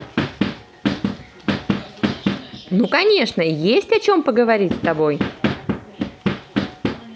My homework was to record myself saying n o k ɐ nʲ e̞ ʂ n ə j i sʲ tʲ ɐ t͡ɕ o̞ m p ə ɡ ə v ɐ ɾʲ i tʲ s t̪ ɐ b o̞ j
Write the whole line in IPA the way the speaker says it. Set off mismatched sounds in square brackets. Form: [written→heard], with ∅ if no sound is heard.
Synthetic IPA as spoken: n [o→u] k ɐ nʲ e̞ ʂ n ə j [i→e] sʲ tʲ ɐ t͡ɕ o̞ m p ə ɡ ə v ɐ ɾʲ i tʲ s t̪ ɐ b o̞ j